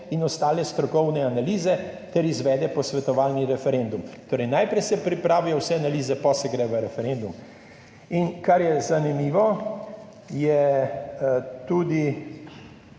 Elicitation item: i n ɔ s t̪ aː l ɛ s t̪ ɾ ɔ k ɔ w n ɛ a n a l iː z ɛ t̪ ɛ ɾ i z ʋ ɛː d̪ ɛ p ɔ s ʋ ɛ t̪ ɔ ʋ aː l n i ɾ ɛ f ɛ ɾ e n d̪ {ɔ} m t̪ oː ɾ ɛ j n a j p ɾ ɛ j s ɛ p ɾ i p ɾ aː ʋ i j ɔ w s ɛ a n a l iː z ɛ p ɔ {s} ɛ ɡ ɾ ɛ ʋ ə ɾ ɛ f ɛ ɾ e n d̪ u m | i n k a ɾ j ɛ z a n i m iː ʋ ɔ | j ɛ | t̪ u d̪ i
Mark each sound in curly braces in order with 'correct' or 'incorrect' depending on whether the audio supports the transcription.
incorrect: u, correct

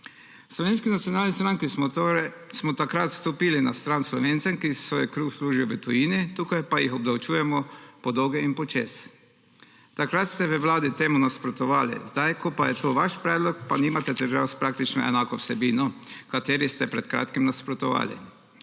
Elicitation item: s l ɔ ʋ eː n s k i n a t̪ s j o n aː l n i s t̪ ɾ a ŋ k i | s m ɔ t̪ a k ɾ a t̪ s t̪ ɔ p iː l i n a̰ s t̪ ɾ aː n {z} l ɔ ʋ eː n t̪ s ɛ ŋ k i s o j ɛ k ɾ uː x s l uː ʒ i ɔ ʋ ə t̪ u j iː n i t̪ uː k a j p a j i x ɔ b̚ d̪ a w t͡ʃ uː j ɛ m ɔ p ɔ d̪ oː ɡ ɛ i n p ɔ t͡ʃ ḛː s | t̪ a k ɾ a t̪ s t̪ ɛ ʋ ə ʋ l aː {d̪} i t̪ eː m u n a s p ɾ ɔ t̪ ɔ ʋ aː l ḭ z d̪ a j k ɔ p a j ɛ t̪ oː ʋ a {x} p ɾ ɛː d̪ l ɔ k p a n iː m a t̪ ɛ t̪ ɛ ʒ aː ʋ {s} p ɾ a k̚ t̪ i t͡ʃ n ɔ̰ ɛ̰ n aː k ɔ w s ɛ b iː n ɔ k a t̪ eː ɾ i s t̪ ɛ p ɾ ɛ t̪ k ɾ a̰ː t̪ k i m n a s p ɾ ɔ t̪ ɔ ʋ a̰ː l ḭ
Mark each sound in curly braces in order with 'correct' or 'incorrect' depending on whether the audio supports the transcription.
incorrect: s, correct, incorrect: ʃ, correct

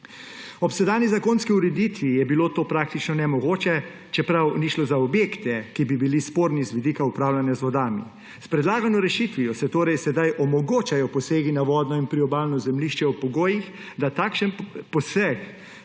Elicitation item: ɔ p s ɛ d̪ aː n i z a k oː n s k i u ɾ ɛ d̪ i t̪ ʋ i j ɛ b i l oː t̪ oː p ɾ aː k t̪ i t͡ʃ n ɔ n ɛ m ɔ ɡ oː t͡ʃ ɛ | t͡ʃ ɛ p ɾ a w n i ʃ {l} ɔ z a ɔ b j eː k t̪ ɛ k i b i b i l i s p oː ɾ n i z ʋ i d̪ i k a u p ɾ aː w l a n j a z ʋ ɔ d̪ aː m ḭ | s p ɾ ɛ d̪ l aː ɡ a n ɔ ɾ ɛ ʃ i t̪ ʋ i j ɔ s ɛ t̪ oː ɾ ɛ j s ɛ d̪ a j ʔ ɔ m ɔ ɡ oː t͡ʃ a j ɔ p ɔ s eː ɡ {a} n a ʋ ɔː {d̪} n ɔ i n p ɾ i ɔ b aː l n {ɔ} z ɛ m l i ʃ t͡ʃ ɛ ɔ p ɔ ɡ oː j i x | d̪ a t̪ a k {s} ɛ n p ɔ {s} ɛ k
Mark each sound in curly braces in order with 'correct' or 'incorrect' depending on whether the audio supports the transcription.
correct, incorrect: i, correct, correct, incorrect: ʃ, correct

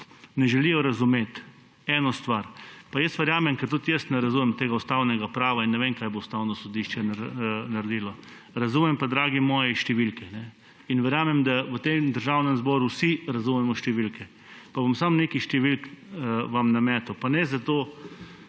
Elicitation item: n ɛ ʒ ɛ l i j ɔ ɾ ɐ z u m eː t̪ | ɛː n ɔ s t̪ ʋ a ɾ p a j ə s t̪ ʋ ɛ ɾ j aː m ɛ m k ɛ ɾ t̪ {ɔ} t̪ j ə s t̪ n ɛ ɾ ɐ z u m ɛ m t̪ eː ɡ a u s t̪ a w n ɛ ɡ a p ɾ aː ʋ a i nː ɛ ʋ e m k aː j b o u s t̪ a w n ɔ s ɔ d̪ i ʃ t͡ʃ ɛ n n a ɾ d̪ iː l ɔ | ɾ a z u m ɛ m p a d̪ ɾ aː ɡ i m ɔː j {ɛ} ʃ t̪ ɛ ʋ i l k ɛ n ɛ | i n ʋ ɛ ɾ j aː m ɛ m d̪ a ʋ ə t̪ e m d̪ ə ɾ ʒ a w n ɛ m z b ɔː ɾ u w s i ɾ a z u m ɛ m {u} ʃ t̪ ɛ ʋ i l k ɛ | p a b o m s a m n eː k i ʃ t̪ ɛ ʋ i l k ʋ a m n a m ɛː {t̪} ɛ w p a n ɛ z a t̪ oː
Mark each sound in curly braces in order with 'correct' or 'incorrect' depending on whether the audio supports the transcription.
incorrect: u, correct, incorrect: ɔ, correct

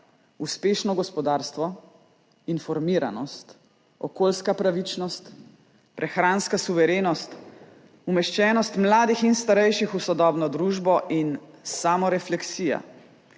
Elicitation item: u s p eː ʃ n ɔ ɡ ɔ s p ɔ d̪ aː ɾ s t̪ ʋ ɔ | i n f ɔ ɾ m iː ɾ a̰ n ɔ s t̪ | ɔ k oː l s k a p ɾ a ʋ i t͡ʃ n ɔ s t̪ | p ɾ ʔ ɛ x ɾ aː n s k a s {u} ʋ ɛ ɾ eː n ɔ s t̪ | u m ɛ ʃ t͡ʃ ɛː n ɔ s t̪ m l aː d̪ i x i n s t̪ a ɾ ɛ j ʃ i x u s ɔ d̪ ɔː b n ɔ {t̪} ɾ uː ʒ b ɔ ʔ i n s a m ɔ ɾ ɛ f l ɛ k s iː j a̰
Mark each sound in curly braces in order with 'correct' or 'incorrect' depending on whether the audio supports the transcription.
correct, incorrect: d̪

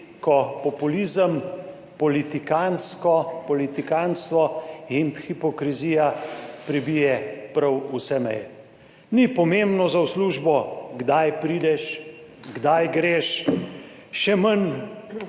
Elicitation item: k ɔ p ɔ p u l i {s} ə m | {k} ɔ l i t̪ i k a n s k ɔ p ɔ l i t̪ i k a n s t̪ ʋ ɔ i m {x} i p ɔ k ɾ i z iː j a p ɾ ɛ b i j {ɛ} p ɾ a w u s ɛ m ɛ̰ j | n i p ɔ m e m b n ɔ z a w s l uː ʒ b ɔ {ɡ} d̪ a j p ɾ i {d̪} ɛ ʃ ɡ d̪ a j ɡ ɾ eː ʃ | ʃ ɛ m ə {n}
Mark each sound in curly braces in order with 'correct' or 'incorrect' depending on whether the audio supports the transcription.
incorrect: z, incorrect: p, correct, correct, correct, correct, correct

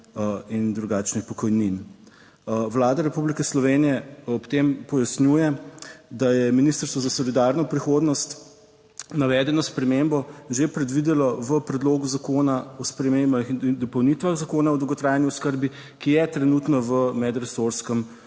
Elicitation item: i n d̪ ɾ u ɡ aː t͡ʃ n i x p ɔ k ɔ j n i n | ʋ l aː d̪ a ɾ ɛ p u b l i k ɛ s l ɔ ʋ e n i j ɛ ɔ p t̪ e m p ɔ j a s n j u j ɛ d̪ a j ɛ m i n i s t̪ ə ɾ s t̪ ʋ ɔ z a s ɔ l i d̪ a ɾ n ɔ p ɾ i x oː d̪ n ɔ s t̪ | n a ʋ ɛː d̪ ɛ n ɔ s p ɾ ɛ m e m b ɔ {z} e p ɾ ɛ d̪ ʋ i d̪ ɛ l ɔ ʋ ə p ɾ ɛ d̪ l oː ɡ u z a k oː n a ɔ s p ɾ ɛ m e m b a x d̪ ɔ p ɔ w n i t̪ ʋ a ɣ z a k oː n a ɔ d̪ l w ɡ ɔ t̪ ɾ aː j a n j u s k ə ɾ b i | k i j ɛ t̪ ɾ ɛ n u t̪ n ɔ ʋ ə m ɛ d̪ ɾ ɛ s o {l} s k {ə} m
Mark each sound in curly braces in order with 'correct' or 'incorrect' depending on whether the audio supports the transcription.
incorrect: ʒ, incorrect: ɾ, correct

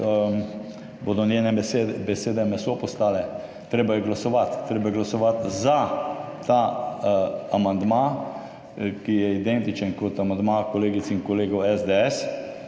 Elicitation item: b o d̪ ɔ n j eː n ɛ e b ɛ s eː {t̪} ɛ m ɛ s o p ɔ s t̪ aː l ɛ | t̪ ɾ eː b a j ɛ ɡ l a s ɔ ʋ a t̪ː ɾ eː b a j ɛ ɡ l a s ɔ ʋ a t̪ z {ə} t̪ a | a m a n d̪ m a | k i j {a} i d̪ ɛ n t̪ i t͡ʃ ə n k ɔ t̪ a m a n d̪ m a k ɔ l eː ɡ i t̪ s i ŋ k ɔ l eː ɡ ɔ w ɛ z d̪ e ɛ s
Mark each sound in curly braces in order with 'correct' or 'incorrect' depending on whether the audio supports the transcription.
incorrect: d̪, incorrect: a, incorrect: ɛ

